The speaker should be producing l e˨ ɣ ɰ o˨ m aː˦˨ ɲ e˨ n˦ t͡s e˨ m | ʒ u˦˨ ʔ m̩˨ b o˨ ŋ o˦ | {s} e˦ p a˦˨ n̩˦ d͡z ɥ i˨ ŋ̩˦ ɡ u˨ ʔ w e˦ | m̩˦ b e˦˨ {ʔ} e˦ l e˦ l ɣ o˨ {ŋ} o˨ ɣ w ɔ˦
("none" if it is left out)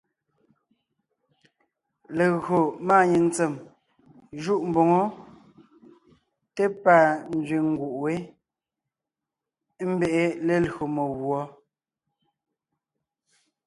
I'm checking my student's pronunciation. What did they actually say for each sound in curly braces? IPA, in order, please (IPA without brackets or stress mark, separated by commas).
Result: t, ʔ, m